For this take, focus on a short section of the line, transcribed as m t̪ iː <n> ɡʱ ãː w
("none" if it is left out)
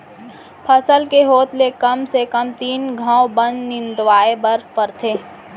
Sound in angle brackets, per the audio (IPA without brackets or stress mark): n